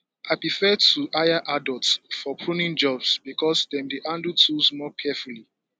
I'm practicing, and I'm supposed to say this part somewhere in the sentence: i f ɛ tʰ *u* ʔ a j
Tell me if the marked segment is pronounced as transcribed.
yes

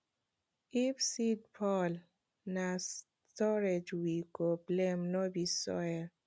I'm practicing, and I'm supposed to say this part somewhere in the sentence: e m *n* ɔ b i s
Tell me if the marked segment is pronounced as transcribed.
yes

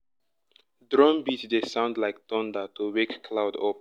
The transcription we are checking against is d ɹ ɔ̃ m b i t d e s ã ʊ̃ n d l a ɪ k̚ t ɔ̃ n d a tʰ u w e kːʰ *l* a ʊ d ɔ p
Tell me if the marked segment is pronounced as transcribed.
yes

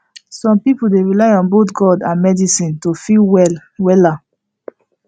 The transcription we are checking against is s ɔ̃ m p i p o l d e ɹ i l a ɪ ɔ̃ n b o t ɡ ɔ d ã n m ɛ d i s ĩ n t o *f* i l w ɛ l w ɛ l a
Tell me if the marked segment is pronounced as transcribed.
yes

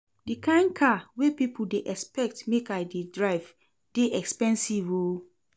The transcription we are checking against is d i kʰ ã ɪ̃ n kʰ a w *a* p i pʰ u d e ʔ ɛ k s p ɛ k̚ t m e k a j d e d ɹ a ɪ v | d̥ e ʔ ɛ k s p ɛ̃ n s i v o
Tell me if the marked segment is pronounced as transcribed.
no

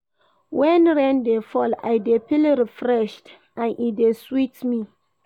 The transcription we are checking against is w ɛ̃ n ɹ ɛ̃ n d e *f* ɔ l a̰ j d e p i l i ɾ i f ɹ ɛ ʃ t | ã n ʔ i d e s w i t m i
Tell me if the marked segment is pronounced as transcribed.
yes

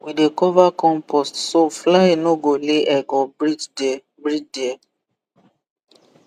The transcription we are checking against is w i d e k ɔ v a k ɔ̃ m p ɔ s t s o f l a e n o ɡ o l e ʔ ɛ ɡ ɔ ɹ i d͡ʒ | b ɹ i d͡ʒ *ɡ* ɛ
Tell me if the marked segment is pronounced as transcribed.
no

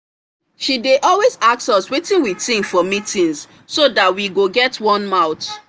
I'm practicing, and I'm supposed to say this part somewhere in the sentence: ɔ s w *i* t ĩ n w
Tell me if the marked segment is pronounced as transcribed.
no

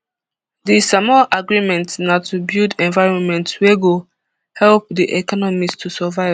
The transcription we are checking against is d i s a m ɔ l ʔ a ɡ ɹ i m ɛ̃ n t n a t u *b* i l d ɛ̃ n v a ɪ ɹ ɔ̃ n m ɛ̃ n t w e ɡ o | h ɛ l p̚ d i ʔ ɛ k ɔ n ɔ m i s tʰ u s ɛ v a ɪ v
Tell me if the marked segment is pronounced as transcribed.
yes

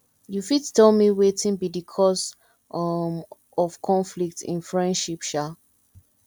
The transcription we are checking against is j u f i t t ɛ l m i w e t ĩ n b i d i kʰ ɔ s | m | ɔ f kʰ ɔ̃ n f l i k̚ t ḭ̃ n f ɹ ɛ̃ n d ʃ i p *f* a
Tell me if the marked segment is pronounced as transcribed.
no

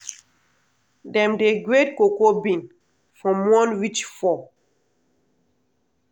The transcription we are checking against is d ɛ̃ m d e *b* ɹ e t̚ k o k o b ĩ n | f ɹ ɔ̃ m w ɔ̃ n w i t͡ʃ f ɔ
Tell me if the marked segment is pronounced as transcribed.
no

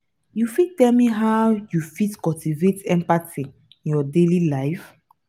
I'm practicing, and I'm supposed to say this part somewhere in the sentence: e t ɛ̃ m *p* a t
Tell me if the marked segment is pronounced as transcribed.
yes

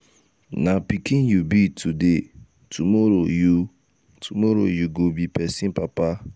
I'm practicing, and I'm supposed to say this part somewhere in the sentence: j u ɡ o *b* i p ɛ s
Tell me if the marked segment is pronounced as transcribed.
yes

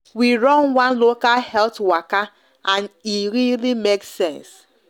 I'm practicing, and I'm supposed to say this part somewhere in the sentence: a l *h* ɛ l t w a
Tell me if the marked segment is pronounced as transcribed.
yes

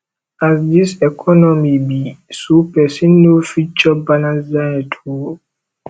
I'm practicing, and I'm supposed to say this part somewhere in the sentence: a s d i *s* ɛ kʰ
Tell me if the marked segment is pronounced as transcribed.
yes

